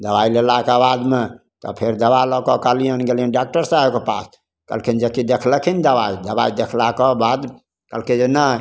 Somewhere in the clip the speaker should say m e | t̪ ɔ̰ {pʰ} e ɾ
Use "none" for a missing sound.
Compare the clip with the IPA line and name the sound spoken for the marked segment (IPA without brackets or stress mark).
pʰ